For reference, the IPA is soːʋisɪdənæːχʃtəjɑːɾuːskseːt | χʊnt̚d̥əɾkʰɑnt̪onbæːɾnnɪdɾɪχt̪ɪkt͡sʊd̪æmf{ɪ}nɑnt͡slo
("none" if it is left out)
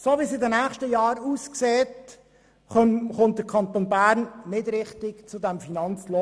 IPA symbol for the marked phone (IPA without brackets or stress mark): i